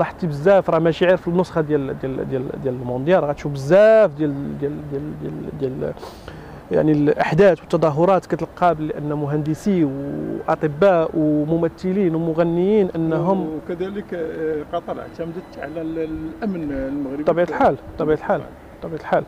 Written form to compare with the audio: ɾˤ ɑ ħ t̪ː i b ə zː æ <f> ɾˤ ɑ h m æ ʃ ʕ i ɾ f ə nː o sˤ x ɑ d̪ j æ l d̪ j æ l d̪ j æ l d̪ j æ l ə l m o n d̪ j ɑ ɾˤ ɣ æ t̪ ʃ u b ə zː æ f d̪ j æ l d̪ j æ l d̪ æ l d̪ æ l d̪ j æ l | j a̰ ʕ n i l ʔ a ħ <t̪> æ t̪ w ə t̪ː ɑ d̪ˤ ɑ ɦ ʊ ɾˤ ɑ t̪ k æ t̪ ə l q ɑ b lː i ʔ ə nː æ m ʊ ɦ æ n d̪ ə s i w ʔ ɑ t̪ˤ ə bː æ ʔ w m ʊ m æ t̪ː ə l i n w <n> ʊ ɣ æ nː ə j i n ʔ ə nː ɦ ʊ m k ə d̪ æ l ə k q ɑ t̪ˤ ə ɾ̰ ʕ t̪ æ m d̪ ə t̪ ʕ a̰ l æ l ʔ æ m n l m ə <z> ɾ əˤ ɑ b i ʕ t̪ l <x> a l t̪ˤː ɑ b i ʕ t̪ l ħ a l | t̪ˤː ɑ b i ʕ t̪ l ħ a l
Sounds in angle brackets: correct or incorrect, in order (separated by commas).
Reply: correct, incorrect, incorrect, incorrect, incorrect